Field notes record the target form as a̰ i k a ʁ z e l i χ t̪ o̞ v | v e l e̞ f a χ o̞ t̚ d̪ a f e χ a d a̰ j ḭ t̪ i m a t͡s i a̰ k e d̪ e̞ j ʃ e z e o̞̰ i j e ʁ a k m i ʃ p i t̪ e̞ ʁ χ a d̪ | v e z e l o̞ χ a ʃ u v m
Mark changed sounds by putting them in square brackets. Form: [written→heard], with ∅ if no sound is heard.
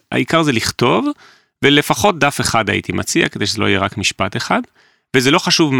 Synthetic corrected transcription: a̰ i k a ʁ z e l i χ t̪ o̞ v | v e l e̞ f a χ o̞ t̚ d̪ a f e χ a d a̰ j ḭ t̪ i m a t͡s i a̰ k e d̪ e̞ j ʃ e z e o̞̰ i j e ʁ a k m i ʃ p [i→a] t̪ e̞ [ʁ→∅] χ a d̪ | v e z e l o̞ χ a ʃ u v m